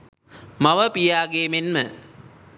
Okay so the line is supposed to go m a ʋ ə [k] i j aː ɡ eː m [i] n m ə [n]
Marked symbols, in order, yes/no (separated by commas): no, no, no